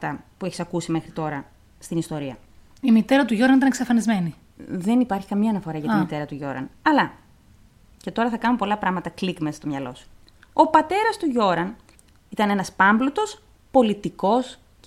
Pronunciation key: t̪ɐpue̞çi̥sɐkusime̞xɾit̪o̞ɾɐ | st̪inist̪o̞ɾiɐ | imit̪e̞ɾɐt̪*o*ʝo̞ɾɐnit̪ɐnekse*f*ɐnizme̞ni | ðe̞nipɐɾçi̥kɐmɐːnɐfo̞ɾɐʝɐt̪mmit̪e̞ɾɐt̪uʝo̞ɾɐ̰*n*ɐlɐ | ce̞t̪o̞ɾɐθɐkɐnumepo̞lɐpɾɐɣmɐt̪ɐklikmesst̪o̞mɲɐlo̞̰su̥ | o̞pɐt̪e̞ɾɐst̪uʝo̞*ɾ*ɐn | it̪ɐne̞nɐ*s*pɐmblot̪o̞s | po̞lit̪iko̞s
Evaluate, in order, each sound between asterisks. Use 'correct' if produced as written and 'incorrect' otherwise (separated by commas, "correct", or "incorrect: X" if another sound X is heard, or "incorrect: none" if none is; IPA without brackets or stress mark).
incorrect: u, correct, correct, correct, correct